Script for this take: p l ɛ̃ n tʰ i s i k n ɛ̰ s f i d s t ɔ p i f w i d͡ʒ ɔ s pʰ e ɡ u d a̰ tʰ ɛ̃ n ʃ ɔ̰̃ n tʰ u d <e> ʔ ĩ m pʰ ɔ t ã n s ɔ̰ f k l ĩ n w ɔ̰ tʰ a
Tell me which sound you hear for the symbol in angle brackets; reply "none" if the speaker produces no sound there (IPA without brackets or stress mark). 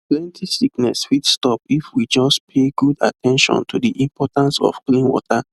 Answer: i